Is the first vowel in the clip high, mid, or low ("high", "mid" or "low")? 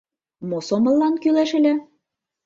mid